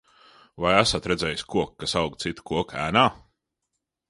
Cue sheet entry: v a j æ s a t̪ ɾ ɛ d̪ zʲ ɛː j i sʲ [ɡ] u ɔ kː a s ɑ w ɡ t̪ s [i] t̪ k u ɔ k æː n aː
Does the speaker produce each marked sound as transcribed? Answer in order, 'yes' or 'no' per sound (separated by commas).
no, yes